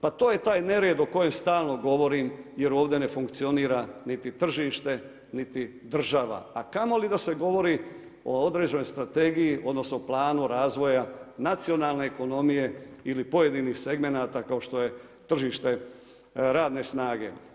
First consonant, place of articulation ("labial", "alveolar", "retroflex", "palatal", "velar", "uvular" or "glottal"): labial